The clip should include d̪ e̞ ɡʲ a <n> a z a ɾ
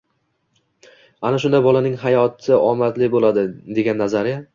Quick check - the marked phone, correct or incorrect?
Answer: incorrect